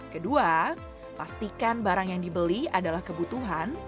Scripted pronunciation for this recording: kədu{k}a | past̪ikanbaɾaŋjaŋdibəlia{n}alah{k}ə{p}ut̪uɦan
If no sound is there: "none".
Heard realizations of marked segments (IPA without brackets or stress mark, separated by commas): none, d, k, b